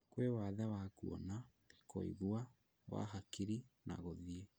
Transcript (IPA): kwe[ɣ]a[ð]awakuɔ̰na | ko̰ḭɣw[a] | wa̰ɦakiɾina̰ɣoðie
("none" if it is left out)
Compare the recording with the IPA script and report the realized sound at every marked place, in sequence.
w, ð, a

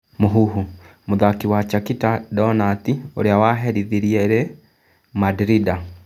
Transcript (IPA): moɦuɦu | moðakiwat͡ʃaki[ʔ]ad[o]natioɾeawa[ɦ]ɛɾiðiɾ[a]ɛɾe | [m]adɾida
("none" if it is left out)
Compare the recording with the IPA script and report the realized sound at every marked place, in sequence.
t, ɔ, ɦ, i, m

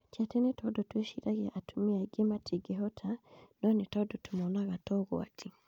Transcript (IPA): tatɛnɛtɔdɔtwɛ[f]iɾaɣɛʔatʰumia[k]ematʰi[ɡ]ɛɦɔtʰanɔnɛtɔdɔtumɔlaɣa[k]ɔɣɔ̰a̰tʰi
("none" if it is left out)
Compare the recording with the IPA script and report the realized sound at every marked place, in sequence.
ʃ, ɡ, ɡ, t

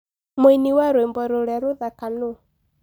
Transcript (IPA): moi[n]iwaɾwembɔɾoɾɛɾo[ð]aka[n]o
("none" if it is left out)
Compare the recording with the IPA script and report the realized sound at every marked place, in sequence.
n, ð, n

